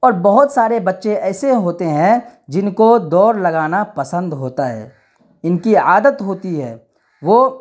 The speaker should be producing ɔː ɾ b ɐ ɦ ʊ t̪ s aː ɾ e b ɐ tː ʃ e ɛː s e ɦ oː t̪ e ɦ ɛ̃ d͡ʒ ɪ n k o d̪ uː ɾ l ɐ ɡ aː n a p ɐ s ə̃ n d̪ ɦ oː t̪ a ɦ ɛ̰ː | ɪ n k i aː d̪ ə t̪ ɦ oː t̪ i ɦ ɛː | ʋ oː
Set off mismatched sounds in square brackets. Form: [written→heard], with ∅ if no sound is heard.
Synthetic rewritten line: ɔː ɾ b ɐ ɦ ʊ t̪ s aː ɾ e b ɐ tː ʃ e ɛː s e ɦ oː t̪ e ɦ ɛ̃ d͡ʒ ɪ n k o d̪ [uː→ɔː] ɾ l ɐ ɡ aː n a p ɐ s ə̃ n d̪ ɦ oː t̪ a ɦ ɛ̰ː | ɪ n k i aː d̪ ə t̪ ɦ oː t̪ i ɦ ɛː | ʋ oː